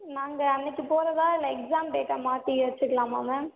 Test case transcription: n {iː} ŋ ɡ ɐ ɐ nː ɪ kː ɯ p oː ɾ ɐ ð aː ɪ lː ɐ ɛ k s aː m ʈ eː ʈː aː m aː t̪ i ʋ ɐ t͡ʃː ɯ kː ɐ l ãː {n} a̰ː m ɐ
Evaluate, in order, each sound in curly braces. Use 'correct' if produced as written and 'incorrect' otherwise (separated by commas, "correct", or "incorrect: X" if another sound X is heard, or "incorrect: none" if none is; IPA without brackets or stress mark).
incorrect: aː, incorrect: m